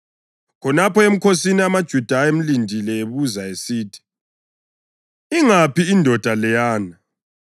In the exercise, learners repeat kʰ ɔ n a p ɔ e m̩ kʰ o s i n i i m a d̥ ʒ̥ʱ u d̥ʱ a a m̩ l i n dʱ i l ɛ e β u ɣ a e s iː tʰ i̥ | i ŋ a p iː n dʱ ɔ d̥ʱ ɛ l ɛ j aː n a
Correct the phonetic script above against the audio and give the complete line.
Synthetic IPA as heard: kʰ ɔ n a p ɔ e m̩ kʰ o s i n i a m a d̥ ʒ̥ʱ u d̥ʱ a e m̩ l i n dʱ i l ɛ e β u z a e s iː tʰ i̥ | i ŋ a p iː n dʱ ɔ d̥ʱ a l ɛ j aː n a